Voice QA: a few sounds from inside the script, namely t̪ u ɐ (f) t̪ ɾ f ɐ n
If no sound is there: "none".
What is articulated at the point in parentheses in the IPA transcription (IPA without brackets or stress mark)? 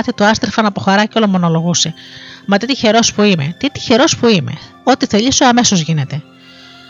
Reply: s